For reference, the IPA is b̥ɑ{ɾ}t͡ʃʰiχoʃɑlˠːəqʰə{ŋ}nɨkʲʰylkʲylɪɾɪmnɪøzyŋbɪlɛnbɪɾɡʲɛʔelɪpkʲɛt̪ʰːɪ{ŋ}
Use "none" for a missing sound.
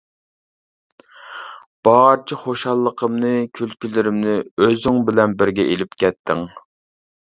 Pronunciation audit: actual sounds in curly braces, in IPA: ɾ, m, ŋ

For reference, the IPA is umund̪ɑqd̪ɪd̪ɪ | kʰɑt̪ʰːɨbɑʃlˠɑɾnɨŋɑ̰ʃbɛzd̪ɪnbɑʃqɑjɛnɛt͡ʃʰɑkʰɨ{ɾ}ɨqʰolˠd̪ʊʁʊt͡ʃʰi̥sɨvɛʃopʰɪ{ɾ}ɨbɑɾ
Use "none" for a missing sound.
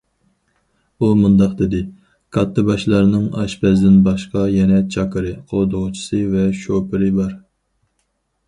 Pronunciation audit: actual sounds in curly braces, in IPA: ɾ, ɾ

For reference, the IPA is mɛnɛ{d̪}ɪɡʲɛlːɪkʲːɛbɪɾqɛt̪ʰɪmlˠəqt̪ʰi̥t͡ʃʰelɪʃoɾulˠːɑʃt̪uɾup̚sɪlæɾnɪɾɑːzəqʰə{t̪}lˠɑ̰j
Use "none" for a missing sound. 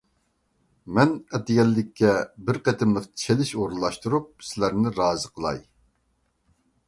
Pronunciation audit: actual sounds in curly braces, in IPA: t̪, none

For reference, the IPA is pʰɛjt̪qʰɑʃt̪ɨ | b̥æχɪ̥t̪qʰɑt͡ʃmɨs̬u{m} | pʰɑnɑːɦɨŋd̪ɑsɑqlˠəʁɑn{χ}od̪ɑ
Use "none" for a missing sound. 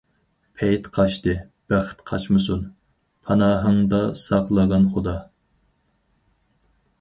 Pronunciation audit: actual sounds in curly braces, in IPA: n, χ

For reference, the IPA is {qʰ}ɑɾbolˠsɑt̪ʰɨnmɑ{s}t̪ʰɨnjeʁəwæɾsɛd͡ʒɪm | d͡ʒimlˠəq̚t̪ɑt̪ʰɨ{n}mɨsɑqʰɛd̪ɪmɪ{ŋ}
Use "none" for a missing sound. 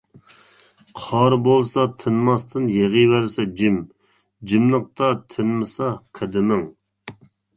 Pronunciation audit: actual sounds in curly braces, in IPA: qʰ, s, n, ŋ

